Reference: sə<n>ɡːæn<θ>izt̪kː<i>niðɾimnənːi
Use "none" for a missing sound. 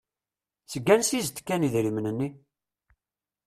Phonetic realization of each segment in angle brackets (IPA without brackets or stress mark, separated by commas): none, s, æ